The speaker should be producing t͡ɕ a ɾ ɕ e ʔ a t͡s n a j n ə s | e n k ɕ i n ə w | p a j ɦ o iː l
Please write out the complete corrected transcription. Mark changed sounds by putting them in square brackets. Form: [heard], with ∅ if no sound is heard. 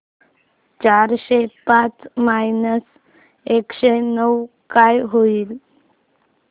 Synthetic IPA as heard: t͡ɕ a ɾ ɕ e [p] a t͡s [m] a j n ə s | e [∅] k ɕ [e] n ə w | [k] a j ɦ o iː l